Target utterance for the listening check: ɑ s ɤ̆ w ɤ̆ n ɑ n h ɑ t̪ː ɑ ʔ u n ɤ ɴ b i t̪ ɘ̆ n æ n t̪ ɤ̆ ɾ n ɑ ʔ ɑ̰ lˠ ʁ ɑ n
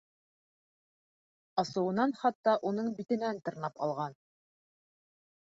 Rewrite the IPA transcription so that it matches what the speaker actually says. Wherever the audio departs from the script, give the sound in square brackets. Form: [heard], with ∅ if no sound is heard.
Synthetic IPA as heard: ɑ s ɤ̆ w ɤ̆ n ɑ n [χ] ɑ t̪ː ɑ ʔ u n ɤ ɴ b i t̪ ɘ̆ n æ n t̪ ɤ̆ ɾ n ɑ [p] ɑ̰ lˠ ʁ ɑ n